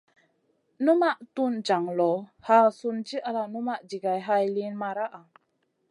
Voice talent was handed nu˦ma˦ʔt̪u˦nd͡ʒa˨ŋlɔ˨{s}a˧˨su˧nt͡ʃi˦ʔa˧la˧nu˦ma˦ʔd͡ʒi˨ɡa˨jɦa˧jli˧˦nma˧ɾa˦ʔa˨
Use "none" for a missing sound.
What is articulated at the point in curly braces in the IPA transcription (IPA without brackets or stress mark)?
h